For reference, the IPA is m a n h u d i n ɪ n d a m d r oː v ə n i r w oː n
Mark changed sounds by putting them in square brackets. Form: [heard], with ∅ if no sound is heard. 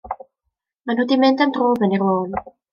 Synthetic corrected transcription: m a n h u d i [m] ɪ n d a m d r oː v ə n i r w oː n

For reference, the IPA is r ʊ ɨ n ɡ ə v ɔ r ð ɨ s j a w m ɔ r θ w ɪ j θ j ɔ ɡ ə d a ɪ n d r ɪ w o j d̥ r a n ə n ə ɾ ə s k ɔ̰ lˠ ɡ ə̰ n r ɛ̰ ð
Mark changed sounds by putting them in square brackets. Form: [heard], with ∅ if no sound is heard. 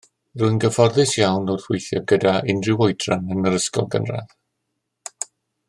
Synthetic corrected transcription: r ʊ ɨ n ɡ ə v ɔ r ð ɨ s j a w [n] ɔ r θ w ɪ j θ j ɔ ɡ ə d a ɪ n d r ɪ w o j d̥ r a n ə n ə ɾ ə s k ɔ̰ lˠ ɡ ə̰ n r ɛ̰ ð

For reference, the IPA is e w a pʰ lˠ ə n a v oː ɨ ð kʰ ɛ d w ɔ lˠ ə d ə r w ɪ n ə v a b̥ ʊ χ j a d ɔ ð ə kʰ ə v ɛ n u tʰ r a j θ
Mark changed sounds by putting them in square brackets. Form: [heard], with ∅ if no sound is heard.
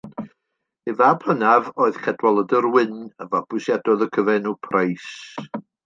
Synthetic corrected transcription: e [v] a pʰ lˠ ə n a v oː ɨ ð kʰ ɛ d w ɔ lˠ ə d ə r w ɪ n ə v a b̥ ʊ [s] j a d ɔ ð ə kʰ ə v ɛ n u [pʰ] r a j [s]

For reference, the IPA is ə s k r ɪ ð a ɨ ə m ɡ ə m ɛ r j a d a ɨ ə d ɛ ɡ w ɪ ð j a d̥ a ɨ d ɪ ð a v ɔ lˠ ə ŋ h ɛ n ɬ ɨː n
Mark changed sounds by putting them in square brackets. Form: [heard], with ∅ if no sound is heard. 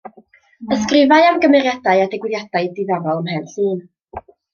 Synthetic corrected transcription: ə s k r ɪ [v] a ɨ [a] m ɡ ə m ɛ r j a d a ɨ [a] d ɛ ɡ w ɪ ð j a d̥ a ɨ d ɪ ð a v ɔ lˠ ə [m] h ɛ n ɬ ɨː n

